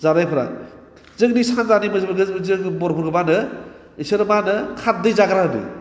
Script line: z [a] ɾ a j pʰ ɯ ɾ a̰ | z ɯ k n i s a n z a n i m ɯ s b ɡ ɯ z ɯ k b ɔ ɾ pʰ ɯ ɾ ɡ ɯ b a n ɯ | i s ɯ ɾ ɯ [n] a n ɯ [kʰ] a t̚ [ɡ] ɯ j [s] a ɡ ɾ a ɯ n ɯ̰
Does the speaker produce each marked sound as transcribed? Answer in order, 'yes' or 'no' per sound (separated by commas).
yes, no, yes, no, no